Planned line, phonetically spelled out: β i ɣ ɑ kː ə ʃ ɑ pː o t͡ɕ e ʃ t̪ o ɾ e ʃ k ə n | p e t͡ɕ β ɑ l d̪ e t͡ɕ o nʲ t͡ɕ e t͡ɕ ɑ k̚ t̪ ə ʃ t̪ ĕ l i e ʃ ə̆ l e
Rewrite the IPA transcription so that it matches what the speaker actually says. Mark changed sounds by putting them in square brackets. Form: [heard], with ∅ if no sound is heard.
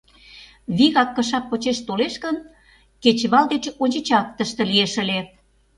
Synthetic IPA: β i ɣ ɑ kː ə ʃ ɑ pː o t͡ɕ e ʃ t̪ o [l] e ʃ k ə n | [k] e t͡ɕ β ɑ l d̪ e t͡ɕ o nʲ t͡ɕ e t͡ɕ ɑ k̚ t̪ ə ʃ t̪ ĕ l i e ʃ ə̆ l e